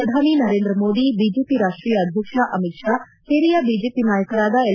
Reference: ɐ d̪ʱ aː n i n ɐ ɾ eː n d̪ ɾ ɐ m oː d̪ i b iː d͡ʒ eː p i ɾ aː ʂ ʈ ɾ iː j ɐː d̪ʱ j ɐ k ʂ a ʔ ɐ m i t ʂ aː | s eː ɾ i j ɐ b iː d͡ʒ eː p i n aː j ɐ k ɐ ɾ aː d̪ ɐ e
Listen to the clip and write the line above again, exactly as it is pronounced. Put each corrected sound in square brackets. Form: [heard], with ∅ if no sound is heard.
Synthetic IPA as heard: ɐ d̪ʱ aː n i n ɐ ɾ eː n d̪ ɾ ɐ m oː d̪ i b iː d͡ʒ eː p i ɾ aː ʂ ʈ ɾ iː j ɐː d̪ʱ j ɐ k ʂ a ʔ ɐ m i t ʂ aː | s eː ɾ i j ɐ b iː d͡ʒ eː p i n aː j ɐ k ɐ ɾ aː d̪ ɐ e

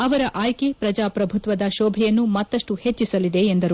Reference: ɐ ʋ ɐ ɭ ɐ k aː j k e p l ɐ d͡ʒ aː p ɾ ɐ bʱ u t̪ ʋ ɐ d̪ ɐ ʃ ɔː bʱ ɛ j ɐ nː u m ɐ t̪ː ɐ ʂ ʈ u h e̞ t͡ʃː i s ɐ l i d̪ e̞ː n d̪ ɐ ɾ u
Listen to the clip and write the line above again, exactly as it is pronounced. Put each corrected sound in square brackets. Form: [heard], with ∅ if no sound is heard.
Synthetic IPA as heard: ɐ ʋ ɐ [ɾ] ɐ [ʔ] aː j k e p [ɾ] ɐ d͡ʒ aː p ɾ ɐ bʱ u t̪ ʋ ɐ d̪ ɐ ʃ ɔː bʱ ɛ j ɐ nː u m ɐ t̪ː ɐ ʂ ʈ u h e̞ t͡ʃː i s ɐ l i d̪ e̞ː n d̪ ɐ ɾ u

